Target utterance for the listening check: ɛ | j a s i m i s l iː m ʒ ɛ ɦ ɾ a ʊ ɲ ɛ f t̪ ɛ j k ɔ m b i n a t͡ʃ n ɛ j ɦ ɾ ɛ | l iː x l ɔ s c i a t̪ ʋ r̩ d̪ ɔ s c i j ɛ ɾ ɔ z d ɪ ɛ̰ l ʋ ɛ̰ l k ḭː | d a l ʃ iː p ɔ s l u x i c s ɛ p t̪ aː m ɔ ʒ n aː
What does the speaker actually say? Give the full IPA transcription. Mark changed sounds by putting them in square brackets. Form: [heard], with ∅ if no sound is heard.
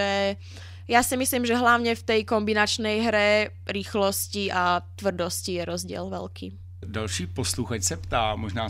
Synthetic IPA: ɛ | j a s i m i s l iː m ʒ ɛ ɦ [l] a ʊ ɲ ɛ f t̪ ɛ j k ɔ m b i n a t͡ʃ n ɛ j ɦ ɾ ɛ | [ɾ] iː x l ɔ s c i a t̪ ʋ r̩ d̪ ɔ s c i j ɛ ɾ ɔ z [ɟ] ɪ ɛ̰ l ʋ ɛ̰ l k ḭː | d a l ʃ iː p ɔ s l u x [a] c s ɛ p t̪ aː m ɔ ʒ n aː